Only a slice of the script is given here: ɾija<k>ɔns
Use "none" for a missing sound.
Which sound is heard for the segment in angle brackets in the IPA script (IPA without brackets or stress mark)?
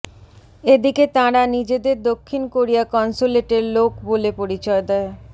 k